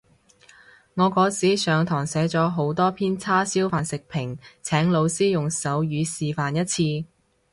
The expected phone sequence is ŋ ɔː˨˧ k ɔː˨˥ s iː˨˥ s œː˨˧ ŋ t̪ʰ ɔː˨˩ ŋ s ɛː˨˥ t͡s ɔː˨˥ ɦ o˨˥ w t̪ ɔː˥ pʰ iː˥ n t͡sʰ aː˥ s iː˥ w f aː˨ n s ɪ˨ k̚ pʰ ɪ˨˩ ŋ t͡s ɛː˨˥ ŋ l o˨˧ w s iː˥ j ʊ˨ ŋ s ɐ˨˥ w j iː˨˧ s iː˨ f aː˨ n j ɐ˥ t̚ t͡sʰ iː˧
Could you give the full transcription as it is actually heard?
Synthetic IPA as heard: ŋ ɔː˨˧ k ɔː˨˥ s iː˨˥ s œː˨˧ ŋ t̪ʰ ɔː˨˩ ŋ s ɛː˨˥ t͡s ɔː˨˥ ɦ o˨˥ w t̪ ɔː˥ pʰ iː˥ n t͡sʰ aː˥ s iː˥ w f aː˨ n s ɪ˨ k̚ pʰ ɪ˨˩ ŋ t͡sʰ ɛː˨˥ ŋ l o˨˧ w s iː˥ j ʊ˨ ŋ s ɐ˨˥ w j yː˨˧ s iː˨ f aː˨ n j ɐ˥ t̚ t͡sʰ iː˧